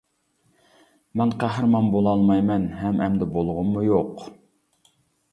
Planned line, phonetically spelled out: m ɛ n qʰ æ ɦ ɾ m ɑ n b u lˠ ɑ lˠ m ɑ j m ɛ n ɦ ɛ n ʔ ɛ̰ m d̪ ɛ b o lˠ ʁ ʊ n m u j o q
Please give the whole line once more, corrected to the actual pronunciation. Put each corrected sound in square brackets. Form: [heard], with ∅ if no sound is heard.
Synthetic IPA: m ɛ n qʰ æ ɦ ɾ m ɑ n b [o] lˠ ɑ lˠ m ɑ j m ɛ n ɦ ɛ [m] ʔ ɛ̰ m d̪ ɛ b o lˠ ʁ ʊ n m u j o q